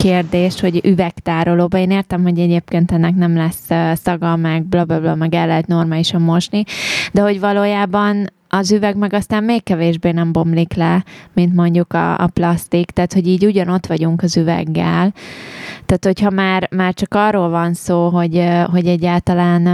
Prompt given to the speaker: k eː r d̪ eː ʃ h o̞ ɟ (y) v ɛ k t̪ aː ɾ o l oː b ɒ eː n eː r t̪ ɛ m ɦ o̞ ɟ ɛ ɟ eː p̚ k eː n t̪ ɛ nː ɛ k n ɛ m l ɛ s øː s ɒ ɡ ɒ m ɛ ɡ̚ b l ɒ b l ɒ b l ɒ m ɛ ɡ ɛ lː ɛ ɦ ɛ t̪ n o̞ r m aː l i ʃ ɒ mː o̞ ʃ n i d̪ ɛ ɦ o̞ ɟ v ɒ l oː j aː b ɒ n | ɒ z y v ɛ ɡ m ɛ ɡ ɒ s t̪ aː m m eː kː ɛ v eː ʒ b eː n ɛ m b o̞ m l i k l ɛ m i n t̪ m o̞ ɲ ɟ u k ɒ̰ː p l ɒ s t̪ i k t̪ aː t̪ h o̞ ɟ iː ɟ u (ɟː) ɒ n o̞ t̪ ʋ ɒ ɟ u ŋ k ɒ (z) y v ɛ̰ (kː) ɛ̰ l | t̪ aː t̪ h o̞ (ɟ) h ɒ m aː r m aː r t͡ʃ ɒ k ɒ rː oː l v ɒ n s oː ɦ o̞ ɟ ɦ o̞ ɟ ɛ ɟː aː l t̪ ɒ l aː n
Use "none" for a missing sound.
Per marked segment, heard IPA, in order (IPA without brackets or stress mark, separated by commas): y, ɟ, z, ɡː, c